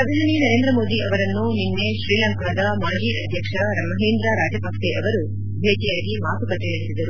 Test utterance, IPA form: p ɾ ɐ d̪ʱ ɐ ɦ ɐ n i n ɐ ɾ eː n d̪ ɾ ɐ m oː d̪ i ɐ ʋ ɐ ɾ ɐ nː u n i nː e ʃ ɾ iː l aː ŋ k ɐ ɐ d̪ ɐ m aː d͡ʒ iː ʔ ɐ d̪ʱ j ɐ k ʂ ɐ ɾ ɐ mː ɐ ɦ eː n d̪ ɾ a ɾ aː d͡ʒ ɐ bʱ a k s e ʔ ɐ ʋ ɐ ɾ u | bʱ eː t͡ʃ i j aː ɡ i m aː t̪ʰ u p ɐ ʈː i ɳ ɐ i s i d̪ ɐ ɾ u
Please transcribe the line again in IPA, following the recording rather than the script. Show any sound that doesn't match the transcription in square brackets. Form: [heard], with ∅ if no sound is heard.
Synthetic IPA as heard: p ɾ ɐ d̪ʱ ɐ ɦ ɐ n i n ɐ ɾ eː n d̪ ɾ ɐ m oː d̪ i ɐ ʋ ɐ ɾ ɐ nː u n i nː e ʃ ɾ iː l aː ŋ k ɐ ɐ d̪ ɐ m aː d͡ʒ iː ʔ ɐ d̪ʱ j ɐ k ʂ ɐ ɾ ɐ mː ɐ ɦ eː n d̪ ɾ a ɾ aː d͡ʒ ɐ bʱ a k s e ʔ ɐ ʋ ɐ ɾ u | bʱ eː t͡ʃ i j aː ɡ i m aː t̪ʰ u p ɐ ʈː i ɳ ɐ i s i d̪ ɐ ɾ u